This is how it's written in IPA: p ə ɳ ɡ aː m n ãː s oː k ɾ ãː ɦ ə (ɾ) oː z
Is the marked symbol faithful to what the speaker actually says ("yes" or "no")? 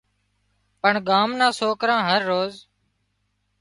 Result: no